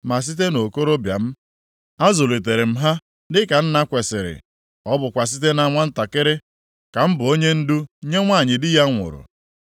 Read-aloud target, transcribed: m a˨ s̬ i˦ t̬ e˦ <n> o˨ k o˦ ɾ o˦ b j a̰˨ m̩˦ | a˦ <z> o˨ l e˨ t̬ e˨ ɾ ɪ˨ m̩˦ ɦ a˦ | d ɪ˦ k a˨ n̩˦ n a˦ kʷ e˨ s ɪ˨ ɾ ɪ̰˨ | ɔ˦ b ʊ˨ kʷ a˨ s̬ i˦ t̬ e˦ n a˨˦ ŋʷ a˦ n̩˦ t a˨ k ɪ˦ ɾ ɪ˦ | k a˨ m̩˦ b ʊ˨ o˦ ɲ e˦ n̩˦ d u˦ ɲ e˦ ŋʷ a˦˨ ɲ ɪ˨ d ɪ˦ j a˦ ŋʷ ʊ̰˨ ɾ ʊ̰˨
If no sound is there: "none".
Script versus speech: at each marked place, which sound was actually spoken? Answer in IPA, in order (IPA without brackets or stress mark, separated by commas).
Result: n, z